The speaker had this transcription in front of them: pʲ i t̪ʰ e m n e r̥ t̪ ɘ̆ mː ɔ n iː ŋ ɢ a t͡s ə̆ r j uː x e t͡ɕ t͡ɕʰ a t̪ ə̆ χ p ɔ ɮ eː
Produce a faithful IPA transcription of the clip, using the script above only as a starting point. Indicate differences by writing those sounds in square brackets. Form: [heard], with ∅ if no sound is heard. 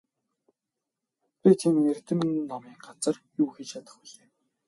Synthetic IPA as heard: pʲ i t̪ʰ [i] m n e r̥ t̪ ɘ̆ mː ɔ [m] iː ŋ ɢ a t͡s ə̆ r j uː x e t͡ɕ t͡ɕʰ a t̪ ə̆ χ p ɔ ɮ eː